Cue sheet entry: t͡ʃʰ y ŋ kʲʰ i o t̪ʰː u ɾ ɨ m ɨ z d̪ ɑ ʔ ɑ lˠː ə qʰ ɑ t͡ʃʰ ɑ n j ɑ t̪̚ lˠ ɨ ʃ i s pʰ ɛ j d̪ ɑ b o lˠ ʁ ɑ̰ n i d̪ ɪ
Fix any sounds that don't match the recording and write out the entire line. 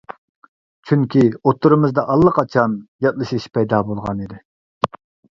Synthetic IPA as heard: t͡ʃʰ y ŋ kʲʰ i o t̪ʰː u ɾ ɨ m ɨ z d̪ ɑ ʔ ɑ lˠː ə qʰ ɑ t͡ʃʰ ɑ n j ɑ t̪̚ lˠ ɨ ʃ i ʃ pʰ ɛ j d̪ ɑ b o lˠ ʁ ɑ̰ n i d̪ ɪ